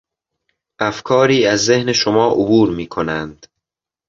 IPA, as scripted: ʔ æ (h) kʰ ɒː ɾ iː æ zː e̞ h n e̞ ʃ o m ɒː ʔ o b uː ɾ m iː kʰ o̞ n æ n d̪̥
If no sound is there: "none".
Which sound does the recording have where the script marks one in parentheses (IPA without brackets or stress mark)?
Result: f